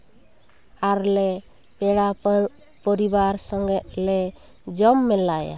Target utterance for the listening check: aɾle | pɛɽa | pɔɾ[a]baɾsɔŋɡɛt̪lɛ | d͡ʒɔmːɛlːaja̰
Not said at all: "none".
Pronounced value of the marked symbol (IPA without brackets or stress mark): i